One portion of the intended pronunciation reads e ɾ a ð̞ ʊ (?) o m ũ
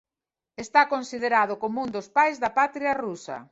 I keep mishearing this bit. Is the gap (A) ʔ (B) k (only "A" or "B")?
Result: B